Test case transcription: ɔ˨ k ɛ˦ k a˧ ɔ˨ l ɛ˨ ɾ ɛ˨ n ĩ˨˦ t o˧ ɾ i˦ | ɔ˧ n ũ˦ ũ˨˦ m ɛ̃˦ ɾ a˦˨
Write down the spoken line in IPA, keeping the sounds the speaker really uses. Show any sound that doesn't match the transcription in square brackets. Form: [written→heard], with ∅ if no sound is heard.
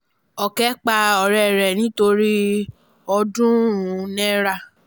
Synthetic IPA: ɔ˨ k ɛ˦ [k→k͡p] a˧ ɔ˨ [l→ɾ] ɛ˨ ɾ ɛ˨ n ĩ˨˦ t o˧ ɾ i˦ | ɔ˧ [n→d] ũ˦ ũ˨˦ [m→n] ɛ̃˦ ɾ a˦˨